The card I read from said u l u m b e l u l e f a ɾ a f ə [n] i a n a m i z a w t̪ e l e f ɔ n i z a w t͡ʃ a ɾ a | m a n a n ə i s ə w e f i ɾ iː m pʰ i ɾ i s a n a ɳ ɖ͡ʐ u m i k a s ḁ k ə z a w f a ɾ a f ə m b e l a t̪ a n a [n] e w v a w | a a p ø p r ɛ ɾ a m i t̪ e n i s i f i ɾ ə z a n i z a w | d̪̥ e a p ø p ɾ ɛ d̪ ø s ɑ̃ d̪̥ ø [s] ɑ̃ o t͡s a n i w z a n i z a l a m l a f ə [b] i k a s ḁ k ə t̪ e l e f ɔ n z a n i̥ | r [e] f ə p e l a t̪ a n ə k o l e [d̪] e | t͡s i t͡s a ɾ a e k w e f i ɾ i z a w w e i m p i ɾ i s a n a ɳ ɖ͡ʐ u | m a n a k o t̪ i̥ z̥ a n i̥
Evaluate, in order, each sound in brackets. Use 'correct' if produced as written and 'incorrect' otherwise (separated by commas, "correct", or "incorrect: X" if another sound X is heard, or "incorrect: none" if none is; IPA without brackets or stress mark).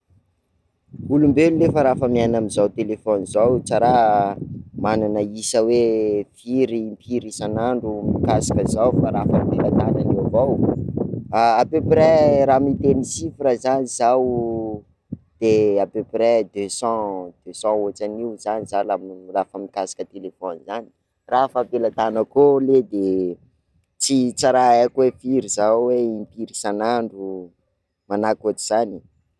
incorrect: m, correct, correct, incorrect: m, incorrect: a, correct